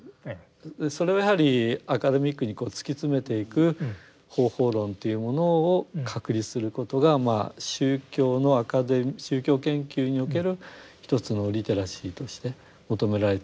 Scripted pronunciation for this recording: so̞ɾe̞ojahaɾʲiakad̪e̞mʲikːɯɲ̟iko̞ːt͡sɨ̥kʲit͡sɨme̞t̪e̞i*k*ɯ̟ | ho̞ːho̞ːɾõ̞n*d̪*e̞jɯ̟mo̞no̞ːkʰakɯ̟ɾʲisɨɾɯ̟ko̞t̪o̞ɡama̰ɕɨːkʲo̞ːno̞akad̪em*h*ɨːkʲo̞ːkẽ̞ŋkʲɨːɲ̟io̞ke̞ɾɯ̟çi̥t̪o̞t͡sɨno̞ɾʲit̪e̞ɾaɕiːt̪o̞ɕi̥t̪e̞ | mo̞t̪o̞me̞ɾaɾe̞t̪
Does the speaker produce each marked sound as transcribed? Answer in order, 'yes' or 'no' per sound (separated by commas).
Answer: yes, no, no